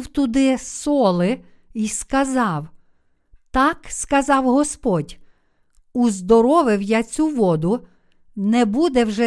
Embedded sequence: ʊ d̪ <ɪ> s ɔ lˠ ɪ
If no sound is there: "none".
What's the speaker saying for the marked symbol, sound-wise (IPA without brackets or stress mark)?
ɪ